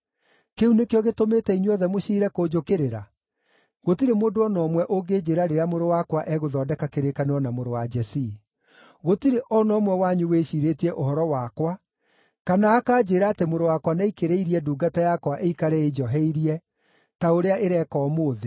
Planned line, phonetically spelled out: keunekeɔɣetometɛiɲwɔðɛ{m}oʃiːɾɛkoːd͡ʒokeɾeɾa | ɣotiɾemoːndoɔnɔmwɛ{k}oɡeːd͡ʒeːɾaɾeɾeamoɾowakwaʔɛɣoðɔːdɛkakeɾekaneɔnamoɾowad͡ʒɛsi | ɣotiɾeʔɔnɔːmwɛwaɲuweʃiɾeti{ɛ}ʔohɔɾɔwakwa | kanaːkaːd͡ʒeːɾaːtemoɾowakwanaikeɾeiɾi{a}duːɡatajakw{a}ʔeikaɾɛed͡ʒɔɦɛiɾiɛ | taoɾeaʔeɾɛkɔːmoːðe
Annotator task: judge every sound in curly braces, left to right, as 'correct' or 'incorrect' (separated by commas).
correct, incorrect, correct, incorrect, correct